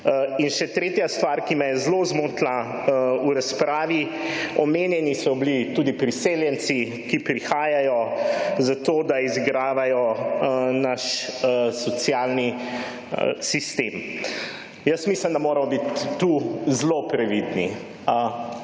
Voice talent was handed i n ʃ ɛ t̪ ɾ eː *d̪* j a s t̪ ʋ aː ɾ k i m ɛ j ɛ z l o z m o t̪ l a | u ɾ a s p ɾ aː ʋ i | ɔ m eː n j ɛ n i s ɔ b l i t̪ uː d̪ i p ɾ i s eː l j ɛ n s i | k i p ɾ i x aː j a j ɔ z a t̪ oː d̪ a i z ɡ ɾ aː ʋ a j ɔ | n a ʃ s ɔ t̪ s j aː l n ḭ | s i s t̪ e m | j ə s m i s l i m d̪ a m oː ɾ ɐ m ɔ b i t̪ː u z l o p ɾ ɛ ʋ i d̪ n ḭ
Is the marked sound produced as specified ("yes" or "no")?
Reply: no